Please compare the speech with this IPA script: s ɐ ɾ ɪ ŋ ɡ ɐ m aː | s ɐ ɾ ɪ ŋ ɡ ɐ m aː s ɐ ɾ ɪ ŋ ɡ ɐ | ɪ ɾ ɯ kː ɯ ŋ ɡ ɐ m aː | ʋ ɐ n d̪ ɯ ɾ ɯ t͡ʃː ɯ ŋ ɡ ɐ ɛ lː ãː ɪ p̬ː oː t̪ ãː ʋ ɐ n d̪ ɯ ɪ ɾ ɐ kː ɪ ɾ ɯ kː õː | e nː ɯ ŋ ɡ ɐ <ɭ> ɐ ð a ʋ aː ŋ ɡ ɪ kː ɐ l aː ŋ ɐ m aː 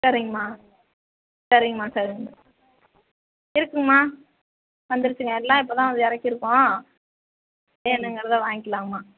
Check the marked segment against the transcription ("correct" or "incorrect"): incorrect